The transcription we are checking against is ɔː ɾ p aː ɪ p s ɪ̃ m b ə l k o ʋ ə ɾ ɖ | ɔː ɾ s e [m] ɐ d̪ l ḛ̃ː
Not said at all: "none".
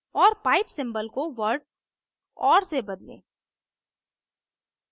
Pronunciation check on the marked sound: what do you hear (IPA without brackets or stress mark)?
b